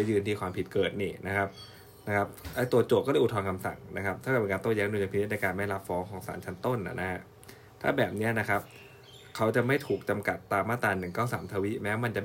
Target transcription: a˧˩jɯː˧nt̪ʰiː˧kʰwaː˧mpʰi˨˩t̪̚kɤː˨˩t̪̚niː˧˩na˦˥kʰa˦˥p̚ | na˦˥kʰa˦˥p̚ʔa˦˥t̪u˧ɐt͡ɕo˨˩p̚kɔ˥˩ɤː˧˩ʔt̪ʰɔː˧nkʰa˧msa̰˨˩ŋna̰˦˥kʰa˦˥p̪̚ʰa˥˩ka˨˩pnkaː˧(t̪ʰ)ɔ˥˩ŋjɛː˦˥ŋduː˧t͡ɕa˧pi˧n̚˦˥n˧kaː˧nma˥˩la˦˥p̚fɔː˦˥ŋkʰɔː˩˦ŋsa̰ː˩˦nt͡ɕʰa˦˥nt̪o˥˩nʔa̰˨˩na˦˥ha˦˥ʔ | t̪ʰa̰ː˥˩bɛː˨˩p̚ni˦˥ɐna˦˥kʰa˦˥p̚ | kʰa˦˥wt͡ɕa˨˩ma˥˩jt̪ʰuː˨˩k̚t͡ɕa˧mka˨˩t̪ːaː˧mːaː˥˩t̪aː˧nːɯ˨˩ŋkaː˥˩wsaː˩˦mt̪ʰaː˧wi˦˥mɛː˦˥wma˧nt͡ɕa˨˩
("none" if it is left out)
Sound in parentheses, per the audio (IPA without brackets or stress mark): t̪